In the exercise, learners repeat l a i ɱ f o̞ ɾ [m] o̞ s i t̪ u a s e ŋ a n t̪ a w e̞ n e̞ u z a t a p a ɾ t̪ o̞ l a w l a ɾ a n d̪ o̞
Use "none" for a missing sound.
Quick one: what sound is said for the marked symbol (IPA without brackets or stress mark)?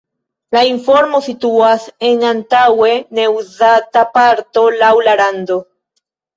m